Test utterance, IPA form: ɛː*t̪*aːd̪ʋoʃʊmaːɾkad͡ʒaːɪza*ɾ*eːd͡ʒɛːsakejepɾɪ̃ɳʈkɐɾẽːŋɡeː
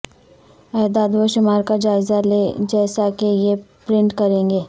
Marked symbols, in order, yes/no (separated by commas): no, no